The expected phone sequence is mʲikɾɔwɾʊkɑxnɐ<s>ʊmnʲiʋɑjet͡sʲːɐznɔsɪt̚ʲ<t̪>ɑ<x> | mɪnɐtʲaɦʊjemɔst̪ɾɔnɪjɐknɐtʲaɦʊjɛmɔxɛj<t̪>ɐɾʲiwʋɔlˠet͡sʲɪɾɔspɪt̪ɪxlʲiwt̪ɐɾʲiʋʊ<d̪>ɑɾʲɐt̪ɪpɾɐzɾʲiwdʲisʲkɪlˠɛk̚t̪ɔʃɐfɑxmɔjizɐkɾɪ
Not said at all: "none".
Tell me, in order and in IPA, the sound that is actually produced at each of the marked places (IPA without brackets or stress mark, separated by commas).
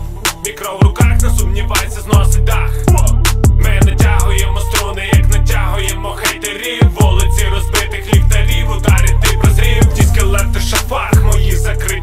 s, d̪, x, t̪, d̪